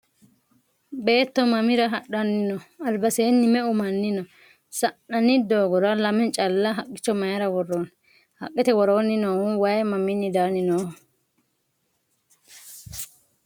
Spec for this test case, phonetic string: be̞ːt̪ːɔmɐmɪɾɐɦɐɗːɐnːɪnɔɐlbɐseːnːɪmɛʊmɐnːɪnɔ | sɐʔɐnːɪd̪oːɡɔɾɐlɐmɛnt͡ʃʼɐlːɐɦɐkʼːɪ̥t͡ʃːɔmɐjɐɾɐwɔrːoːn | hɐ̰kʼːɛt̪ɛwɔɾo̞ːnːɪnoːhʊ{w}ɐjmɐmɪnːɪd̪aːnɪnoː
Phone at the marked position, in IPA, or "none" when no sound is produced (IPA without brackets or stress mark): w